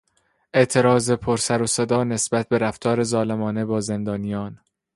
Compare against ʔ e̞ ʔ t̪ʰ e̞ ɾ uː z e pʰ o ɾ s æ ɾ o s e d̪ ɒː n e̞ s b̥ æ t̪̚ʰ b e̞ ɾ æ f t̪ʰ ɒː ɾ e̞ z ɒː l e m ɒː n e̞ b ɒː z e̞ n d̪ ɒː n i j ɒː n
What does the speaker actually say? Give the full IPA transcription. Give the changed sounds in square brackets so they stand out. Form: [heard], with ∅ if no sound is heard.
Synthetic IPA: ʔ e̞ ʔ t̪ʰ e̞ ɾ [ɒː] z e pʰ o ɾ s æ ɾ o s e d̪ ɒː n e̞ s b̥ æ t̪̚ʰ b e̞ ɾ æ f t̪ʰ ɒː ɾ e̞ z ɒː l e m ɒː n e̞ b ɒː z e̞ n d̪ ɒː n i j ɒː n